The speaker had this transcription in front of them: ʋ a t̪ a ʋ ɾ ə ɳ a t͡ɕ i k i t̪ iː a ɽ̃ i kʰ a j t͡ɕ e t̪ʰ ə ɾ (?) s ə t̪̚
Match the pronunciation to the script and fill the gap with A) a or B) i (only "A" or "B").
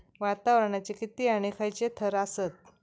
A